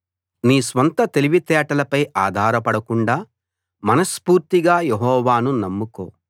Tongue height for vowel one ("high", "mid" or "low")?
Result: high